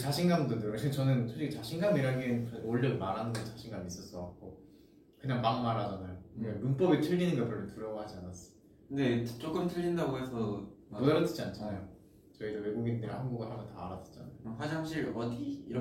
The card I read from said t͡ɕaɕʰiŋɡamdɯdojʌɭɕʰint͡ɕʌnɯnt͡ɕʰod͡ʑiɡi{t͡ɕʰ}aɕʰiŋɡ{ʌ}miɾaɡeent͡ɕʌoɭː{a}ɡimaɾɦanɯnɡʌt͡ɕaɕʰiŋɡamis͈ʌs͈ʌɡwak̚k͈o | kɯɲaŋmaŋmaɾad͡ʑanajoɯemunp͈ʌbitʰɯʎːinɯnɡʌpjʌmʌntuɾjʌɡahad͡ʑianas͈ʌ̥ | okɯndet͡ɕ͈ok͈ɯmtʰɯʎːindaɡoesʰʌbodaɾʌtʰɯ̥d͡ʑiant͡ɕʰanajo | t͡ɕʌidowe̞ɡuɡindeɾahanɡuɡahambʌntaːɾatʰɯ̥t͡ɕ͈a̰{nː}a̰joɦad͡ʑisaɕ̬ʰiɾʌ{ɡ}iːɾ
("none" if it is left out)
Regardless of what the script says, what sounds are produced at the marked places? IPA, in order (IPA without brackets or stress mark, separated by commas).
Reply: t͡ɕ, a, ʌ, n, d